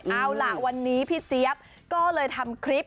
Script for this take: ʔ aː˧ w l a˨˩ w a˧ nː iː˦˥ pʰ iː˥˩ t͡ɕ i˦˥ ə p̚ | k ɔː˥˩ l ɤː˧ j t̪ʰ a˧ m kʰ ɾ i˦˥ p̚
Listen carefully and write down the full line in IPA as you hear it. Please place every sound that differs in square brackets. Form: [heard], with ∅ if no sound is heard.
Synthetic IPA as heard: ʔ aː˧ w l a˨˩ w a˧ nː iː˦˥ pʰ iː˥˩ t͡ɕ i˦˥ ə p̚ | k ɔː˥˩ l ɤː˧ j t̪ʰ a˧ m kʰ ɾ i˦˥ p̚